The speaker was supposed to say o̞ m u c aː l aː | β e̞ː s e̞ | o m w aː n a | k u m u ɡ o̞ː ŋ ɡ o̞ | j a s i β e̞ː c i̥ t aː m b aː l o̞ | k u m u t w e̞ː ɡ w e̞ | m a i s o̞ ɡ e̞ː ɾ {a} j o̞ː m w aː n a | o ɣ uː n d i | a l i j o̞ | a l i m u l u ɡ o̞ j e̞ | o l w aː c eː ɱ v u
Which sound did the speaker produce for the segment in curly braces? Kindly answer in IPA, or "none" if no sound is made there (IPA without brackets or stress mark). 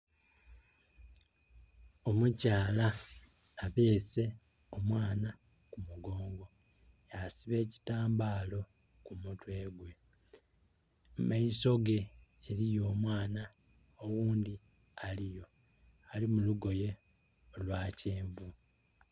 i